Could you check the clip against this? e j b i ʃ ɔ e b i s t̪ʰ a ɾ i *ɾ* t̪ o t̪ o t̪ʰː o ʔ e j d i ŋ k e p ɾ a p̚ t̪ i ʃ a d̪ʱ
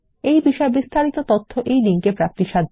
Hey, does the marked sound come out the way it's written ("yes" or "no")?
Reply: no